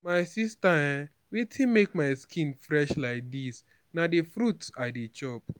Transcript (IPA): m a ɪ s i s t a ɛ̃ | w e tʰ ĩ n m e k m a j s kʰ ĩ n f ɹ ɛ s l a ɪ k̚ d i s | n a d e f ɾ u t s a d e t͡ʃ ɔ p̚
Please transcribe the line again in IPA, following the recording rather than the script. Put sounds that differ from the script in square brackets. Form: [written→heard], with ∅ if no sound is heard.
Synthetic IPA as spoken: m a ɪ s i s t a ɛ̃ | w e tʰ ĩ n m e k m a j s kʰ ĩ n f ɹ ɛ [s→ʃ] l a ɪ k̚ d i s | n a d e f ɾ u t s a d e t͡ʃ ɔ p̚